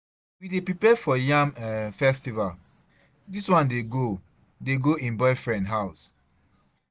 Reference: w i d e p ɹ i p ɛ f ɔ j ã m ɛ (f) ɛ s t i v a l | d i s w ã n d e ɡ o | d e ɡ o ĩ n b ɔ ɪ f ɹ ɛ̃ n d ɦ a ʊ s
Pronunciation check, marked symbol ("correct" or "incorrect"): correct